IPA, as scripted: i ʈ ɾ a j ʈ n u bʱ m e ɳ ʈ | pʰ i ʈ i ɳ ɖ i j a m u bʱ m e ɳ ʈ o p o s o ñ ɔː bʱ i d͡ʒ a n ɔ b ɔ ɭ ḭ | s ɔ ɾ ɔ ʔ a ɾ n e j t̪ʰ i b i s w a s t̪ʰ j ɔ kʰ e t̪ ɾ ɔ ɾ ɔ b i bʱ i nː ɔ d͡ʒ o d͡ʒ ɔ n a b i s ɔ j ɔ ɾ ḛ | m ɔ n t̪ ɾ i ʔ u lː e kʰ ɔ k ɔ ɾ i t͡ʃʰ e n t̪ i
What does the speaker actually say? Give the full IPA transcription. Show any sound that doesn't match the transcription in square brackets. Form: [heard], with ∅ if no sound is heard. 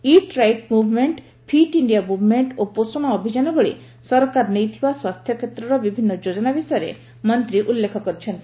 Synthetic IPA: i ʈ ɾ a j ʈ [m] u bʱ m e ɳ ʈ | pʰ i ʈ i ɳ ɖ i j a m u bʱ m e ɳ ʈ o p o s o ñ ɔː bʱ i d͡ʒ a n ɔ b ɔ ɭ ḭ | s ɔ ɾ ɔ [k] a ɾ n e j t̪ʰ i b [a] s w a s t̪ʰ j ɔ kʰ e t̪ ɾ ɔ ɾ ɔ b i bʱ i nː ɔ d͡ʒ o d͡ʒ ɔ n a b i s ɔ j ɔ ɾ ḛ | m ɔ n t̪ ɾ i ʔ u lː e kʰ ɔ k ɔ ɾ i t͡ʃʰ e n t̪ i